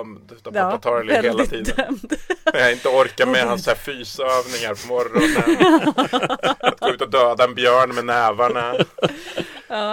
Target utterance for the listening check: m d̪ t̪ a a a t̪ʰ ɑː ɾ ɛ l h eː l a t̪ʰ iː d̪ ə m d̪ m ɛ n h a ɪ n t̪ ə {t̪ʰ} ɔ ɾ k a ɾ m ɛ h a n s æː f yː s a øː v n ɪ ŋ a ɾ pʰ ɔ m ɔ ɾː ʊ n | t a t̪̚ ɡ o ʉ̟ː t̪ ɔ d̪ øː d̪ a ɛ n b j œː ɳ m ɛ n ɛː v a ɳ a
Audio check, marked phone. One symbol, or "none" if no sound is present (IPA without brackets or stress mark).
none